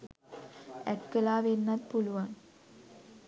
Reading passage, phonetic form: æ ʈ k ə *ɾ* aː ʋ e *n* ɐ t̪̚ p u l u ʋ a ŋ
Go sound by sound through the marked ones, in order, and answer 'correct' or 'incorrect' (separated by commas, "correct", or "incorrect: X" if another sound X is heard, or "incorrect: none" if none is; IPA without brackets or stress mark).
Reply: incorrect: l, incorrect: nː